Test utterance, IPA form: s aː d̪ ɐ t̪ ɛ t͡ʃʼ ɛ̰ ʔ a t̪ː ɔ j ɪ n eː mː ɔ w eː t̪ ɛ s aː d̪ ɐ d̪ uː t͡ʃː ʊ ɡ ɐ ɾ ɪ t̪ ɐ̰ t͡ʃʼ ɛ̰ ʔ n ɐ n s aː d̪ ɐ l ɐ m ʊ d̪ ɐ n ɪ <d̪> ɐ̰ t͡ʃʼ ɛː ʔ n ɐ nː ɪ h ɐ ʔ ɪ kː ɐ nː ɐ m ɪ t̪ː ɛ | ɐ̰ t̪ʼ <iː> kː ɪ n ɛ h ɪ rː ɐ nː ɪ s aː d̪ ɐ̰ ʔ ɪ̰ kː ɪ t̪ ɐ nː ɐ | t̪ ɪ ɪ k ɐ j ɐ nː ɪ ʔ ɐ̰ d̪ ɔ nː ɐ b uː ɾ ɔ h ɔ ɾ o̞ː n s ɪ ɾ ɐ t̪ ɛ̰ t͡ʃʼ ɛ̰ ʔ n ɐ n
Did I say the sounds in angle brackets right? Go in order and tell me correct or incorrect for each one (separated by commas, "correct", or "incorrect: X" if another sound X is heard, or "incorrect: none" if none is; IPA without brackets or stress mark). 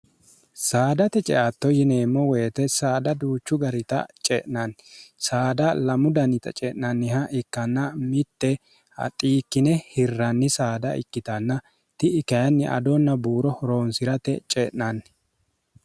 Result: incorrect: t̪, correct